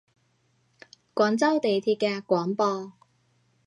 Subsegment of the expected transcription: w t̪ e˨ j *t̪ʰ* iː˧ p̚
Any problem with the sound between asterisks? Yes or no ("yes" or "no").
no